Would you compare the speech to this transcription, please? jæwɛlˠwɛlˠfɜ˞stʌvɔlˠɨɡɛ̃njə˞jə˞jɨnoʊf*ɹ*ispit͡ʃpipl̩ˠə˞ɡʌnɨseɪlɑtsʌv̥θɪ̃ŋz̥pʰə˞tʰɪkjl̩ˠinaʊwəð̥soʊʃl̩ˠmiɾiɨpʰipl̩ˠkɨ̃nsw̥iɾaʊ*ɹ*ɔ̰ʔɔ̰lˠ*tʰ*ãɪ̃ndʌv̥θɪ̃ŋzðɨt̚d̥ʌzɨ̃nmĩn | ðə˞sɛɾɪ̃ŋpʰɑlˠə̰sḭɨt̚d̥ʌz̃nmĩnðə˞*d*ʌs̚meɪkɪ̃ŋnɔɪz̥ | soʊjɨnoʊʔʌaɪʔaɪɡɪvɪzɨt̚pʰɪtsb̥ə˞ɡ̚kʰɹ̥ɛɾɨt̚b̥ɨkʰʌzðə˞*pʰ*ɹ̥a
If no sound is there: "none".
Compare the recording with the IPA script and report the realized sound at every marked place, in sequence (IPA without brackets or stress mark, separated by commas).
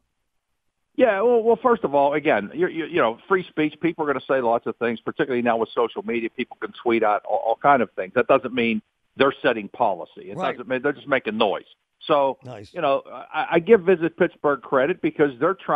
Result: ɹ, ɾ, kʰ, d͡ʒ, tʰ